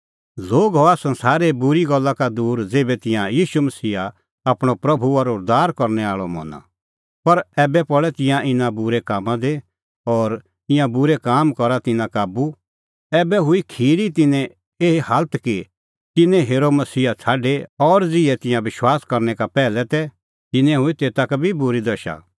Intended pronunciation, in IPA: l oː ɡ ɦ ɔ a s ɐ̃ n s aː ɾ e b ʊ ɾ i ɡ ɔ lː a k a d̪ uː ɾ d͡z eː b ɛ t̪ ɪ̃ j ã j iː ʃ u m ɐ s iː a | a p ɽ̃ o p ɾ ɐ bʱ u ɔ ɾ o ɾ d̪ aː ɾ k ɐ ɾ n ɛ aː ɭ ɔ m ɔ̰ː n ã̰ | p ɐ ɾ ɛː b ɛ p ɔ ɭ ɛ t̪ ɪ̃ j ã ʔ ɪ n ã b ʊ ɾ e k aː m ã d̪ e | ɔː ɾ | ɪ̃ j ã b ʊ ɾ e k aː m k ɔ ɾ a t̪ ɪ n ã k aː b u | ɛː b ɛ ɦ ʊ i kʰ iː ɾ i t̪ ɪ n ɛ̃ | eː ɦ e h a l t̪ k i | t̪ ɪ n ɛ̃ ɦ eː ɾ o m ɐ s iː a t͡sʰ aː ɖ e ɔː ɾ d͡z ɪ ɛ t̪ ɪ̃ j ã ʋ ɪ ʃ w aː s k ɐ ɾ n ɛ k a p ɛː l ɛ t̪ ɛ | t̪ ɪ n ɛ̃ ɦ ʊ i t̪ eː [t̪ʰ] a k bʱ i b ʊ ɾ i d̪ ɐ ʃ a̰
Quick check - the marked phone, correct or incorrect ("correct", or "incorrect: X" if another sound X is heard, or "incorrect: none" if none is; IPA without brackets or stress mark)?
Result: incorrect: t̪